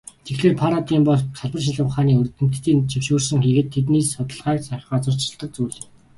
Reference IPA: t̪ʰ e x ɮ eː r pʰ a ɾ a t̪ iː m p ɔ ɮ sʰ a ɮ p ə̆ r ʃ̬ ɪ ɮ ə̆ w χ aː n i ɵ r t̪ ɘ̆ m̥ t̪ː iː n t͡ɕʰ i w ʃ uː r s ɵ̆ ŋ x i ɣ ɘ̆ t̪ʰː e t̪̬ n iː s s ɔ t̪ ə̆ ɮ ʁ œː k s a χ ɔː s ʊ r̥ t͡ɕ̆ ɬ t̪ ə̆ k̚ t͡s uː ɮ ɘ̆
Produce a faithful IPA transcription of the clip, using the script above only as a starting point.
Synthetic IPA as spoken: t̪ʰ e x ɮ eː r pʰ a ɾ a t̪ iː m p ɔ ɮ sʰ a ɮ p ə̆ r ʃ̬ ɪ ɮ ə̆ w χ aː n iː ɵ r t̪ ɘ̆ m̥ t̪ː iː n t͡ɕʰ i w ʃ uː r s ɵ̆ ŋ x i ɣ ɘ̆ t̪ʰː e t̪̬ n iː s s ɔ t̪ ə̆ ɮ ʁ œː k s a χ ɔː t͡s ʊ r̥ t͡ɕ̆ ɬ t̪ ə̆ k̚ t͡s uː ɮ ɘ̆